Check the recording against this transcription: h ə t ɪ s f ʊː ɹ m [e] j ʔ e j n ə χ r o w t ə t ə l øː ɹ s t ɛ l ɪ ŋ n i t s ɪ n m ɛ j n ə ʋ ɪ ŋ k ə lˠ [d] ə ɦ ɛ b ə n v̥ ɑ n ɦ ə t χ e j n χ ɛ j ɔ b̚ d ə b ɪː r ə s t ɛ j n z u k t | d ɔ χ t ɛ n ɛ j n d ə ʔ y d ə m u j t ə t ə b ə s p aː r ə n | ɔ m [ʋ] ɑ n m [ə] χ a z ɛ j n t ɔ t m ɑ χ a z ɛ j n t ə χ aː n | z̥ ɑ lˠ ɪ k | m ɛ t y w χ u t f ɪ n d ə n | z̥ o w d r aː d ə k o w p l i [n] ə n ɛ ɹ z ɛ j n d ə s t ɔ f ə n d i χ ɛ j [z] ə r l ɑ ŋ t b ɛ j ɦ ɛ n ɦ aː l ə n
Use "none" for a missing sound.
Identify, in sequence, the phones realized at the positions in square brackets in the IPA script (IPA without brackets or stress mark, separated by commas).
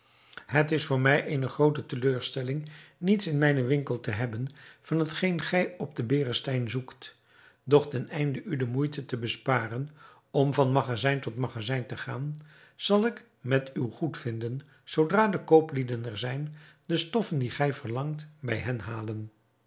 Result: ɛ, t, v, ɑ, d, v